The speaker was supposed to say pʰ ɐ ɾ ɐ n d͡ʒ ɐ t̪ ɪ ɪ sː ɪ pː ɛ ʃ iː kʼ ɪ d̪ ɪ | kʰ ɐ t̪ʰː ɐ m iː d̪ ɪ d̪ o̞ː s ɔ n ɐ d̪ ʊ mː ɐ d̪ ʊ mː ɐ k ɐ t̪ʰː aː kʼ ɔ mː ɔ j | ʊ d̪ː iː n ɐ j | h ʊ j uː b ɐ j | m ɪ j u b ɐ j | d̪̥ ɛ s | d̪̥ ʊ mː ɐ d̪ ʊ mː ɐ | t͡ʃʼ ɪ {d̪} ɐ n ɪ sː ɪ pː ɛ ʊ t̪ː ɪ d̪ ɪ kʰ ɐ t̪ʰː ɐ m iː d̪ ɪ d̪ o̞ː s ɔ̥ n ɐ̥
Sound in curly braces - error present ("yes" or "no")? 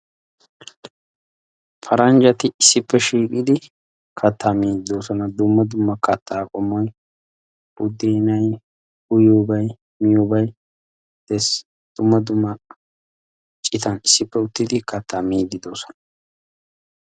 yes